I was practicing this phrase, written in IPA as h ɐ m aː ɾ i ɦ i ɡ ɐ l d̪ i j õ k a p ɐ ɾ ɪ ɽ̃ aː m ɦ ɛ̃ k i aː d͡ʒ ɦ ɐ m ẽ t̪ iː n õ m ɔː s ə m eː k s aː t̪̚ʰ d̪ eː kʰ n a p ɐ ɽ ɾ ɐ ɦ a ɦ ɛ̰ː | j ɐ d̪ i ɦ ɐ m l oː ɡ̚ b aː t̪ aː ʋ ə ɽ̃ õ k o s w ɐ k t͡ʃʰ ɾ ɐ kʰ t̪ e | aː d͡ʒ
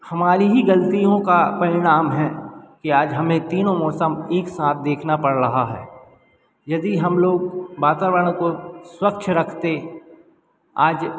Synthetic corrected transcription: h ɐ m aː ɾ i ɦ i ɡ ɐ l t̪ i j õ k a p ɐ ɾ ɪ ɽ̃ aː m ɦ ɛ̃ k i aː d͡ʒ ɦ ɐ m ẽ t̪ iː n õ m ɔː s ə m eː k s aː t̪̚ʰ d̪ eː kʰ n a p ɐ ɽ ɾ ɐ ɦ a ɦ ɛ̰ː | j ɐ d̪ i ɦ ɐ m l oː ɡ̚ b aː t̪ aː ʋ ə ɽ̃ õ k o s w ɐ k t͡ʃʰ ɾ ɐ kʰ t̪ e | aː d͡ʒ